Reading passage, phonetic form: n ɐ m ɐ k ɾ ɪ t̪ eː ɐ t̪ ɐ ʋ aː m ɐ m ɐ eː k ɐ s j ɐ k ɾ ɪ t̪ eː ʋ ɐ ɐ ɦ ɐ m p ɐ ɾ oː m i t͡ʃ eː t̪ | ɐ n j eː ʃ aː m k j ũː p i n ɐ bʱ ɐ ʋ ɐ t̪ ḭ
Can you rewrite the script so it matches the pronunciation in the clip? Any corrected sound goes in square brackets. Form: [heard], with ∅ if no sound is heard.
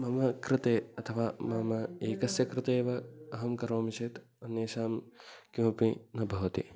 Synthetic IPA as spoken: [m] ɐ m ɐ k ɾ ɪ t̪ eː ɐ [t̪ʰ] ɐ ʋ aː m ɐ m ɐ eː k ɐ s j ɐ k ɾ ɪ t̪ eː ʋ ɐ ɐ ɦ ɐ m [k] ɐ ɾ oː m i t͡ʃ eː t̪ | ɐ n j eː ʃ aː m k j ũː p i n ɐ bʱ ɐ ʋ ɐ t̪ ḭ

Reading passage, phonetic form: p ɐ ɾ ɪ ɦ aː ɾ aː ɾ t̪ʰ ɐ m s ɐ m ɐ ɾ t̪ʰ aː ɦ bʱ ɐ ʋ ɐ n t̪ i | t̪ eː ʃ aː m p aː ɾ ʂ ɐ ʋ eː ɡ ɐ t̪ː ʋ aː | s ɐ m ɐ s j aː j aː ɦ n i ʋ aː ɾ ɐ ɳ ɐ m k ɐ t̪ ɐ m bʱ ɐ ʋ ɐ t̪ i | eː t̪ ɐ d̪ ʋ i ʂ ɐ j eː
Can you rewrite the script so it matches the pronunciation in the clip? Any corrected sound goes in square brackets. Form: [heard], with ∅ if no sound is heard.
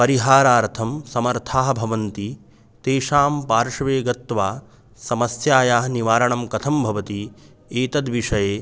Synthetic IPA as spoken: p ɐ ɾ [i] ɦ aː ɾ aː ɾ t̪ʰ ɐ m s ɐ m ɐ ɾ t̪ʰ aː ɦ bʱ ɐ ʋ ɐ n t̪ i | t̪ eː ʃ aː m p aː ɾ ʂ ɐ ʋ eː ɡ ɐ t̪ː ʋ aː | s ɐ m ɐ s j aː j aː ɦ n i ʋ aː ɾ ɐ ɳ ɐ m k ɐ [t̪ʰ] ɐ m bʱ ɐ ʋ ɐ t̪ i | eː t̪ ɐ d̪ ʋ i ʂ ɐ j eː

